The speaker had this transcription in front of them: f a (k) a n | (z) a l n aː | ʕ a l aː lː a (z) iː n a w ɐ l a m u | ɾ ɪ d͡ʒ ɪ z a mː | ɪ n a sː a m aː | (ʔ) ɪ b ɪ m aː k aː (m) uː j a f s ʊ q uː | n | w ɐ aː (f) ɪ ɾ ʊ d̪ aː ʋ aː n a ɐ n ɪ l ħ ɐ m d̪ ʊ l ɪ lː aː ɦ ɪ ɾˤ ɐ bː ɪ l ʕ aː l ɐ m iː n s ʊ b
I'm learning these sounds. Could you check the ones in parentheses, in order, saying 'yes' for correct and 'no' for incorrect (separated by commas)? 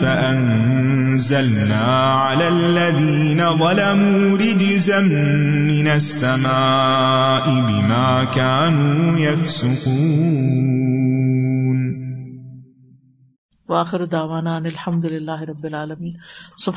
no, yes, no, yes, no, no